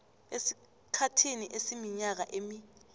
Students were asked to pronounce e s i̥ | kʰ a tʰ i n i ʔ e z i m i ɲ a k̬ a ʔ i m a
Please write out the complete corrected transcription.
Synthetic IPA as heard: e s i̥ | kʰ a tʰ i n i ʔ e s i m i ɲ a k̬ a ʔ e m i